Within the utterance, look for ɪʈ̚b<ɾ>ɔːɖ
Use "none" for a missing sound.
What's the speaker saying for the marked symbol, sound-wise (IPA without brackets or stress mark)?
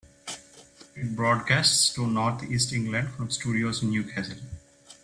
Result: ɾ